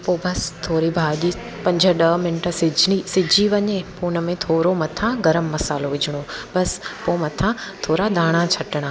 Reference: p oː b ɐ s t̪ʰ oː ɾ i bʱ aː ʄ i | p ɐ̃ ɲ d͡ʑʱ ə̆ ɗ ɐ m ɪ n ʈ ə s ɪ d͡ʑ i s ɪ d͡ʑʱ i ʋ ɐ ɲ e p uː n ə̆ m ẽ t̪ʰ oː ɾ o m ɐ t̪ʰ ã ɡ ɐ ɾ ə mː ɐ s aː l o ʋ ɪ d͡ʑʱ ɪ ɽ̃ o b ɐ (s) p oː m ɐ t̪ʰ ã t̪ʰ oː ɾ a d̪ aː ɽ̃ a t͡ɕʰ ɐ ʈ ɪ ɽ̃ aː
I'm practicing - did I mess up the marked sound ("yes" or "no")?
no